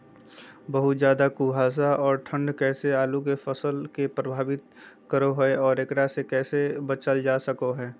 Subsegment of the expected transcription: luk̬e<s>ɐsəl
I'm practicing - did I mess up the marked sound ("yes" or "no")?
yes